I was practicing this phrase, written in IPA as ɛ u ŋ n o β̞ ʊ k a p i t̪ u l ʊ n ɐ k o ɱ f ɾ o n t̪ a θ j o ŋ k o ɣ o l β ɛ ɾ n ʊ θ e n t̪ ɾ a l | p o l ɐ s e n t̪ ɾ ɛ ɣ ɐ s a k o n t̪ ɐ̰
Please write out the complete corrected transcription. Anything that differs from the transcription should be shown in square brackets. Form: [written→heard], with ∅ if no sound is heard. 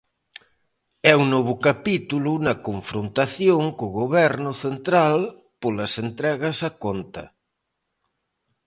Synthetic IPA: ɛ u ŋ n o β̞ ʊ k a p i t̪ u l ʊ n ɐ k o ɱ f ɾ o n t̪ a θ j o ŋ k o ɣ o [l→∅] β ɛ ɾ n ʊ θ e n t̪ ɾ a l | p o l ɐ s e n t̪ ɾ ɛ ɣ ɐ s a k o n t̪ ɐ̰